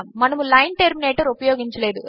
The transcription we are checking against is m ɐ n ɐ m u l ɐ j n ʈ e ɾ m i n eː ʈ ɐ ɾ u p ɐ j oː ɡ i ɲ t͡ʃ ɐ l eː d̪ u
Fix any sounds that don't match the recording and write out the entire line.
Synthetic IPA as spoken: m ɐ n ɐ m u l ɐ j n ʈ e ɾ m i n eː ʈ ɐ ɾ u p ɐ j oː ɡ i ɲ t͡ʃ ɐ l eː d̪ u